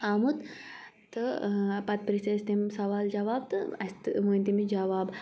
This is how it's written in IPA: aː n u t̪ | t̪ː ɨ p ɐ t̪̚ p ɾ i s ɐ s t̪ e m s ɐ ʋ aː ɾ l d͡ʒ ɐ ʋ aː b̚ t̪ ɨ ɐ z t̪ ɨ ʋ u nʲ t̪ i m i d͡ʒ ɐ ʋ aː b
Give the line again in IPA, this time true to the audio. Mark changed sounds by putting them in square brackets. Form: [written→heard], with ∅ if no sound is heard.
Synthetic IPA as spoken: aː [n→m] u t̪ | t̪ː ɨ p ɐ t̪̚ p ɾ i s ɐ s t̪ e m s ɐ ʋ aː [ɾ→∅] l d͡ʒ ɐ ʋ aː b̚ t̪ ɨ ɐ [z→s] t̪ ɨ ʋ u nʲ t̪ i m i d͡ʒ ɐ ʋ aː b